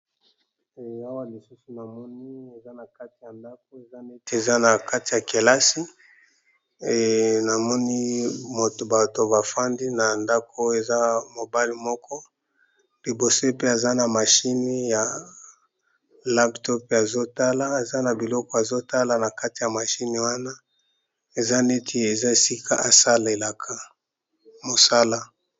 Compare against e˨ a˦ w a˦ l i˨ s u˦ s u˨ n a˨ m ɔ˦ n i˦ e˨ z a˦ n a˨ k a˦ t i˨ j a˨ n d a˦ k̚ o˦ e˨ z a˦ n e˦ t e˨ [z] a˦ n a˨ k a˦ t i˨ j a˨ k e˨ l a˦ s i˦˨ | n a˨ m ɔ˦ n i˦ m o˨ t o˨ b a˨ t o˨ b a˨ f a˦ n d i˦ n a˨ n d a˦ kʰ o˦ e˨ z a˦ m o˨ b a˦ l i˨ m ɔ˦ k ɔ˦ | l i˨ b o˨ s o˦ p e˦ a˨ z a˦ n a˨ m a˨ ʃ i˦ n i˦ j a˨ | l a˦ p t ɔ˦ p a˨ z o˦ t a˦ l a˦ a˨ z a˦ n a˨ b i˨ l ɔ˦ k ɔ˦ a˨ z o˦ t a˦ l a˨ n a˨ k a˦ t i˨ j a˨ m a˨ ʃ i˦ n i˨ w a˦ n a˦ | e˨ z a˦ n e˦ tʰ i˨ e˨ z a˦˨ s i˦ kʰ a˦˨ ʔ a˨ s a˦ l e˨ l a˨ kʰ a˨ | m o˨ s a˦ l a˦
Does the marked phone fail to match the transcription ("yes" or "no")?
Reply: no